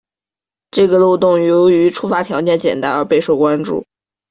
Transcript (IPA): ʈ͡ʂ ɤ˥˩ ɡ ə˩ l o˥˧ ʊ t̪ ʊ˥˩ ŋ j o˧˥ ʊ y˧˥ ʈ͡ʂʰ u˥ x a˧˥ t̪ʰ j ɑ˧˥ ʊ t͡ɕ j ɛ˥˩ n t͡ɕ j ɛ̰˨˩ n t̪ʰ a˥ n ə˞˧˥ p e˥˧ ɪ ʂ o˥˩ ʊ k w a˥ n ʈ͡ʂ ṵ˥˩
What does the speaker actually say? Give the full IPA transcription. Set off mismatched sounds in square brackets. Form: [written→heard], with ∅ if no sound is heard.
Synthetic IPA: ʈ͡ʂ ɤ˥˩ ɡ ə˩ l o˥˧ ʊ t̪ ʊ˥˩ ŋ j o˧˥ ʊ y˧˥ ʈ͡ʂʰ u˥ [x→f] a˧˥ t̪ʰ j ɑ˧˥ ʊ t͡ɕ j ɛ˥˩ n t͡ɕ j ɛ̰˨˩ n [t̪ʰ→t̪] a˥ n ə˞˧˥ p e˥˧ ɪ ʂ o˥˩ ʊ k w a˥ n ʈ͡ʂ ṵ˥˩